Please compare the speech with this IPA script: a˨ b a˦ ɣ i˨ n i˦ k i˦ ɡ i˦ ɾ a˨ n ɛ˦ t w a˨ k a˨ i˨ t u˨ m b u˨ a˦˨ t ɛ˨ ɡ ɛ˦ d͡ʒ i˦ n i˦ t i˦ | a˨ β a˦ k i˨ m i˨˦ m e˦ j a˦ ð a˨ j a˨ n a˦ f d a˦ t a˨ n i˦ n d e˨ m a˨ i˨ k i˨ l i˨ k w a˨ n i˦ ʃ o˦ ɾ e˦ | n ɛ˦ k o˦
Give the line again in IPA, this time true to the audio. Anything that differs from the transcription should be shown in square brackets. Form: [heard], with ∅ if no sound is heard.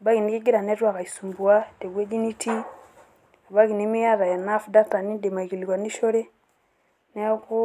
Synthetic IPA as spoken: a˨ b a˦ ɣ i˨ n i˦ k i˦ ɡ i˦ ɾ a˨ n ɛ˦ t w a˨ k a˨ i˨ [s] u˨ m b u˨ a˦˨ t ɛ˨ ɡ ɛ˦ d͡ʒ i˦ n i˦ t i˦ | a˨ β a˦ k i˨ [n] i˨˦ m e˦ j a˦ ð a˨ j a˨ n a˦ f d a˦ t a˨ n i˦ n d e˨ m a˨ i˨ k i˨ l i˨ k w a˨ n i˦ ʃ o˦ ɾ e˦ | n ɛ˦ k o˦